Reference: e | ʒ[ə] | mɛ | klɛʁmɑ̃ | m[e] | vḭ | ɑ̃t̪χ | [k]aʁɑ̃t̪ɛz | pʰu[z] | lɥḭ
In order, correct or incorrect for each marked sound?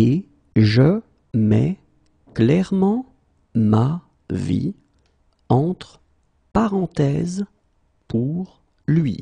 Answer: correct, incorrect, incorrect, incorrect

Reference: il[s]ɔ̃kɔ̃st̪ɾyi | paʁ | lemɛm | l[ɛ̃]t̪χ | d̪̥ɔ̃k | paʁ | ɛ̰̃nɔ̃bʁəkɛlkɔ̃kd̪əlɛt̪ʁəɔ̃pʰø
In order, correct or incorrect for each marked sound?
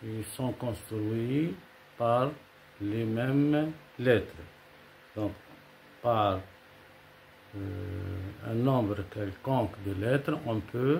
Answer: correct, incorrect

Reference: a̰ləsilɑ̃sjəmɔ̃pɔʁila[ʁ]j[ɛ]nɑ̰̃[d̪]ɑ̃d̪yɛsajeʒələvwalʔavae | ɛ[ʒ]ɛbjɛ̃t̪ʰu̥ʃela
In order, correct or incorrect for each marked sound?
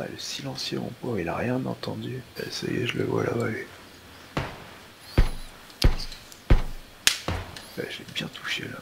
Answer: correct, incorrect, incorrect, correct

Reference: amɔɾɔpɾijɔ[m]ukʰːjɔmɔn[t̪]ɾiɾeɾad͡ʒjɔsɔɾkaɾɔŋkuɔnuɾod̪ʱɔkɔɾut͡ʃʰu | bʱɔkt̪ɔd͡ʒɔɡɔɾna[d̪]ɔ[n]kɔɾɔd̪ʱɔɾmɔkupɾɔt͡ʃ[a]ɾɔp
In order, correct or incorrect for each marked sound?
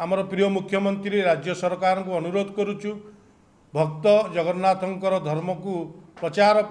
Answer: correct, correct, incorrect, incorrect, correct

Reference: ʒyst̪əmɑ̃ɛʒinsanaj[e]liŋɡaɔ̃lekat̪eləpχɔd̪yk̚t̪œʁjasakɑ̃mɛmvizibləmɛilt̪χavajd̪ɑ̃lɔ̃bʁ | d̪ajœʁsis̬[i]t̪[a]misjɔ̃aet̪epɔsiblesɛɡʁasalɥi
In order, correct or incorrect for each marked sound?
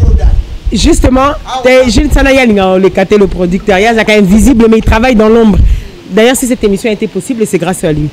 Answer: incorrect, incorrect, incorrect

